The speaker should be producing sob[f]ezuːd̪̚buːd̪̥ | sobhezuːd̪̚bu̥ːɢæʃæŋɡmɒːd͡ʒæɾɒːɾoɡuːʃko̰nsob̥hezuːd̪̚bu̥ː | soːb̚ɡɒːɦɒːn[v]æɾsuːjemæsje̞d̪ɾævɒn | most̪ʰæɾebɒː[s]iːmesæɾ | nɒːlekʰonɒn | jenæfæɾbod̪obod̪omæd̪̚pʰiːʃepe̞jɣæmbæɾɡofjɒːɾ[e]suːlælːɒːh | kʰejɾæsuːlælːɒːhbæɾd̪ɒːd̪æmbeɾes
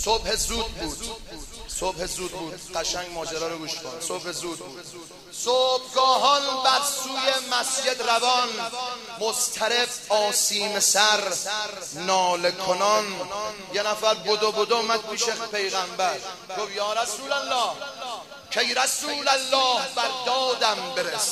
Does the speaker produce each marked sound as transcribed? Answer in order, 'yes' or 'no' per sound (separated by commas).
no, no, yes, no